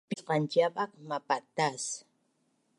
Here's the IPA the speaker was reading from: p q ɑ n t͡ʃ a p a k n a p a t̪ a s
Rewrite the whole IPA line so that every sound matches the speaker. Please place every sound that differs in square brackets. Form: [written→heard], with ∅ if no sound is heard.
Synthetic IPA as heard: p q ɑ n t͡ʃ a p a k [n→m] a p a t̪ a s

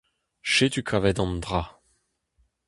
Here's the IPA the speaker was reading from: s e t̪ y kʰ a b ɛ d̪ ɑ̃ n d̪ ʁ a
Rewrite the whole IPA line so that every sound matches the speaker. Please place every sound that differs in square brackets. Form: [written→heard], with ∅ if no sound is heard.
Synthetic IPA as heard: [s→ʃ] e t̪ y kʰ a [b→v] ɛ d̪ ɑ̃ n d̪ ʁ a

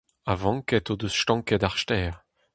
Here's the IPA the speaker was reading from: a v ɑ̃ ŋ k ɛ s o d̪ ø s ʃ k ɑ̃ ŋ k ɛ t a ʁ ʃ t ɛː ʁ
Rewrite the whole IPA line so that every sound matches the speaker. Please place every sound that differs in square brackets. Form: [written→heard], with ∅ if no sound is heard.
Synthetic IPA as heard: a v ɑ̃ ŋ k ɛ [s→t] o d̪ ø s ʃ [k→t] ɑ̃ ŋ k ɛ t a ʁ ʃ t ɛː ʁ

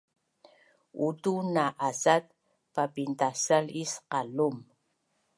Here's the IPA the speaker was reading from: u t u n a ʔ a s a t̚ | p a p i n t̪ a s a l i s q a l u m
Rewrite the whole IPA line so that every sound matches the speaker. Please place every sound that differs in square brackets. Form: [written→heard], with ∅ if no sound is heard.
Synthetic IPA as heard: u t u n a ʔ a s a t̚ | p a p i n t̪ a s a l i s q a l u m

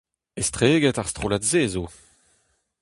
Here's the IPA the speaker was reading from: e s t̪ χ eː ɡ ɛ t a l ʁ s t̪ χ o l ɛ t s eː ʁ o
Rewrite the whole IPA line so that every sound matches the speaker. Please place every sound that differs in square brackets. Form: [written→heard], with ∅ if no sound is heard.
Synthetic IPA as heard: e s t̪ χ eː ɡ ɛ t a [l→∅] ʁ s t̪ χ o l [ɛ→a] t [s→z] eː [ʁ→z] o

